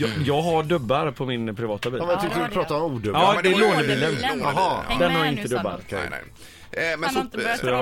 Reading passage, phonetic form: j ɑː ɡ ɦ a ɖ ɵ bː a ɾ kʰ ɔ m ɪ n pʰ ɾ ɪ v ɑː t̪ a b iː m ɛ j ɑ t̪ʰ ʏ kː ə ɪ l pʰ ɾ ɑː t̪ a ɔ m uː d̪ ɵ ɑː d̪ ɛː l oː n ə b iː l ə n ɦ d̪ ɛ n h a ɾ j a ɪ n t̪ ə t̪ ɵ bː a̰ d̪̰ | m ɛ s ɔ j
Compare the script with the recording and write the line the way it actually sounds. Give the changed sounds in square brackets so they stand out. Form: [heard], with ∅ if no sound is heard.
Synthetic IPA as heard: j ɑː ɡ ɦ a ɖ ɵ bː a ɾ [pʰ] ɔ m ɪ n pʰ ɾ ɪ v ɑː t̪ a b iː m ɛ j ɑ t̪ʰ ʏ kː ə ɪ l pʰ ɾ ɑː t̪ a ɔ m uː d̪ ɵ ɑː d̪ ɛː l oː n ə b iː l ə n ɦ d̪ ɛ n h a ɾ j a ɪ n t̪ ə [d̪] ɵ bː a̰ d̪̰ | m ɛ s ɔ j